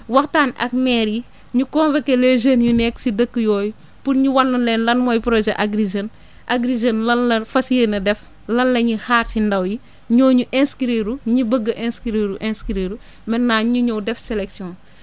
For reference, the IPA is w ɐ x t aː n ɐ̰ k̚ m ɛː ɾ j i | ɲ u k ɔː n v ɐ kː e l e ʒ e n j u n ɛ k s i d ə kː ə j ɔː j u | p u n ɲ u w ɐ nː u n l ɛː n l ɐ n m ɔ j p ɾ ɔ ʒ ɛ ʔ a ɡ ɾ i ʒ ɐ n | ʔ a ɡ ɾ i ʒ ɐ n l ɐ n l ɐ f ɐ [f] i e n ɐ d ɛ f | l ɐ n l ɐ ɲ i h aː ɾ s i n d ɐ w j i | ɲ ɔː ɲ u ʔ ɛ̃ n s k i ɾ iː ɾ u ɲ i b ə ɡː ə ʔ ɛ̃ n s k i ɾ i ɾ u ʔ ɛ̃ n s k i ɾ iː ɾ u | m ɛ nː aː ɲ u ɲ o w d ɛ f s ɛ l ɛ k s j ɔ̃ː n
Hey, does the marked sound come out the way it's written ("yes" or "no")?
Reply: no